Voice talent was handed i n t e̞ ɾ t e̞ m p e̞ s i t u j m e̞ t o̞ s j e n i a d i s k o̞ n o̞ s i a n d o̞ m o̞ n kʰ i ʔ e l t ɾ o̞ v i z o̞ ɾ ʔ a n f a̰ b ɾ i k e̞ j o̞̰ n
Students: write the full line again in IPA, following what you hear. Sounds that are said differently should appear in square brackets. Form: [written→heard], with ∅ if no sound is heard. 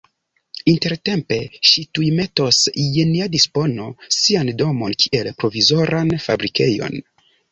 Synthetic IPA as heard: i n t e̞ ɾ t e̞ m p e̞ [s→ʃ] i t u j m e̞ t o̞ s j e n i a d i s [k→p] o̞ n o̞ s i a n d o̞ m o̞ n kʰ i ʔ e l [t→p] ɾ o̞ v i z o̞ ɾ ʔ a n f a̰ b ɾ i k e̞ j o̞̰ n